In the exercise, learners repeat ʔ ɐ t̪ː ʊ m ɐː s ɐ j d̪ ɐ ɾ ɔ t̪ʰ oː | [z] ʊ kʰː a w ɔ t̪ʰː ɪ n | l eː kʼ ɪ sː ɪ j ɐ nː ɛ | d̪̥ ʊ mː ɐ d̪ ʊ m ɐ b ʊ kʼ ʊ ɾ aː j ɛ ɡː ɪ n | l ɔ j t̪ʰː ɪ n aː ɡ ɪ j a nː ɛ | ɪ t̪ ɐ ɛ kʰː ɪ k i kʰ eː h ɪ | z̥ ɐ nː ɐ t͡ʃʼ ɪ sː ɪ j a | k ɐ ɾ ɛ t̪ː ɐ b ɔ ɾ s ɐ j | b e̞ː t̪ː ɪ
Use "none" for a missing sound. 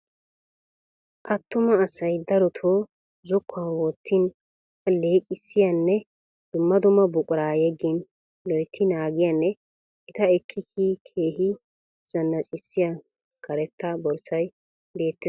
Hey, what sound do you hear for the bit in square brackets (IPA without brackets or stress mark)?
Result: z